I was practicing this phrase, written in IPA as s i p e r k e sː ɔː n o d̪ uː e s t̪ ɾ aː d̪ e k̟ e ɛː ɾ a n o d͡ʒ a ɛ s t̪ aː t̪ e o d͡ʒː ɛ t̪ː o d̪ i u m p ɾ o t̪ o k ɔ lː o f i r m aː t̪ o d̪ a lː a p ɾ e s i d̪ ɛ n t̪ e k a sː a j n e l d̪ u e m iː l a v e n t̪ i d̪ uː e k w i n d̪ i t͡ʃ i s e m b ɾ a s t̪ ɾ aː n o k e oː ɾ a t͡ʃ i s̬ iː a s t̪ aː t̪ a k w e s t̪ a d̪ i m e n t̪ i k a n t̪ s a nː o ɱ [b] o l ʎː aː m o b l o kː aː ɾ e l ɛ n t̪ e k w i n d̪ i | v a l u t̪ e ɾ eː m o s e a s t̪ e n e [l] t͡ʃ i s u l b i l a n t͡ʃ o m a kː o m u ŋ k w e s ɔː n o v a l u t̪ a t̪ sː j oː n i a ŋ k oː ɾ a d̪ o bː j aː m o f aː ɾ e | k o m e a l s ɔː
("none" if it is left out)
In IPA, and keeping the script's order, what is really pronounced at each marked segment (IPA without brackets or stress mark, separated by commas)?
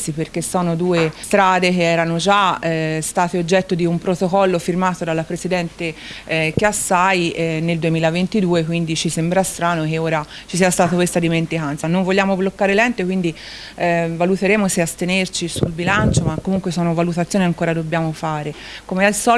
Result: v, r